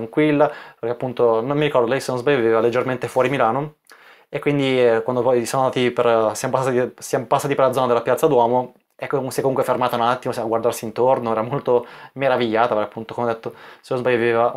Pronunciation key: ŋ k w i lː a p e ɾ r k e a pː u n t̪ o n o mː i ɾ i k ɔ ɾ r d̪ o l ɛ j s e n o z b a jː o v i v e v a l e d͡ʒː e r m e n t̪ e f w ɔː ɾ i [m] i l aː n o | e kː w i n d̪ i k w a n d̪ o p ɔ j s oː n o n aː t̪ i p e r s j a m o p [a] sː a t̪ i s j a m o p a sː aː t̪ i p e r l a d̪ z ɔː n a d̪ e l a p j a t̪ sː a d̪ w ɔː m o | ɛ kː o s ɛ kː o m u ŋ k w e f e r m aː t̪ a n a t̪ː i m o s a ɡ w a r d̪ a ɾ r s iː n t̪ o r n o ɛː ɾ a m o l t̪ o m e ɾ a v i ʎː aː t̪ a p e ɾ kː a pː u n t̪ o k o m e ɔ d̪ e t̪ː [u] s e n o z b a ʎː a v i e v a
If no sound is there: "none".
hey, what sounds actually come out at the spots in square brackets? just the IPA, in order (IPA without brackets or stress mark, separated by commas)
m, a, o